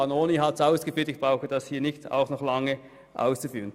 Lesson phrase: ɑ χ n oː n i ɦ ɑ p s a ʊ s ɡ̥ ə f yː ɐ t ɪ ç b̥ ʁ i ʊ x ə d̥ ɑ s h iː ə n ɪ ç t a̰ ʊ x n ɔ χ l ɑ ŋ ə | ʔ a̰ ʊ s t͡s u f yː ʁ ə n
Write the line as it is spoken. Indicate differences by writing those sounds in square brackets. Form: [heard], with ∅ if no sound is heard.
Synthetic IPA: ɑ [∅] n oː n i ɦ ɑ [t] s a ʊ s ɡ̥ ə f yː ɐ t ɪ ç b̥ ʁ [a] ʊ x ə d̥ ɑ s h iː [ɐ] n ɪ ç t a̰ ʊ x n ɔ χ l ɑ ŋ ə | ʔ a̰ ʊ s t͡s u f yː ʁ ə n